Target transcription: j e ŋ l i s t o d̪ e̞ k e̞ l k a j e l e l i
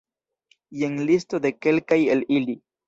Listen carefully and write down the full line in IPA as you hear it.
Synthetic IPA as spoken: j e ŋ l i s t o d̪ e̞ k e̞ l k a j e l i l i